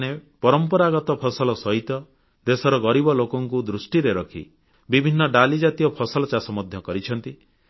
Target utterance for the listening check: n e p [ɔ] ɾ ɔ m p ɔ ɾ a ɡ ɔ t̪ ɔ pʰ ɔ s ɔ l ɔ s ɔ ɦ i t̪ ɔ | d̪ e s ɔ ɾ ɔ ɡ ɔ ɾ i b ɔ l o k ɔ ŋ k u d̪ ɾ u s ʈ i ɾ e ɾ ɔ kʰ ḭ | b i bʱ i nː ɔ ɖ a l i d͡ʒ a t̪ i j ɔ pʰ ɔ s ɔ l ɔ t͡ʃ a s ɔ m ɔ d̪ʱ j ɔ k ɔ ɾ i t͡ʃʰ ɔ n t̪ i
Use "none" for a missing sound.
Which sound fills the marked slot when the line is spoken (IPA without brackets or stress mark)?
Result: ɔ